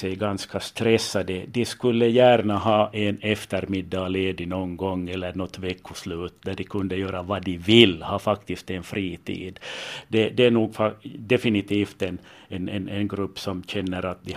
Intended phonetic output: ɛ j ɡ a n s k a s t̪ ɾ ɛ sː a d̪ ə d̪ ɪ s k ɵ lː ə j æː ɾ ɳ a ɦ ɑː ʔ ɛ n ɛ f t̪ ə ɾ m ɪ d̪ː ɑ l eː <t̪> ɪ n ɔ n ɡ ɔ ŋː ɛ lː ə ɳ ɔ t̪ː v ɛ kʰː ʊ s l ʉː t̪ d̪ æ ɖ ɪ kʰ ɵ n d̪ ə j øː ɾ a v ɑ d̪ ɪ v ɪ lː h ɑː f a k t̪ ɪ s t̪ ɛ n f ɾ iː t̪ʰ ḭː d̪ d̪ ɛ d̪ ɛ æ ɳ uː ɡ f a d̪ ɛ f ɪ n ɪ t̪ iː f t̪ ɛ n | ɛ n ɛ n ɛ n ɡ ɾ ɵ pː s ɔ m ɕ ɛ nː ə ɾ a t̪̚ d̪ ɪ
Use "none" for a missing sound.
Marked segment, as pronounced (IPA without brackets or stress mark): d̪